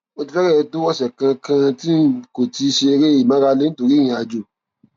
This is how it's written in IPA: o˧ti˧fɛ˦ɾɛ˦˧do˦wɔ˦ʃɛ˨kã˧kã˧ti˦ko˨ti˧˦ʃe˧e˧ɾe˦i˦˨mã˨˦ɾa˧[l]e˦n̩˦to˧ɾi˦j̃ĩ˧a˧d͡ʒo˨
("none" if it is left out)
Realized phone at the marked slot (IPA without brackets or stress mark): l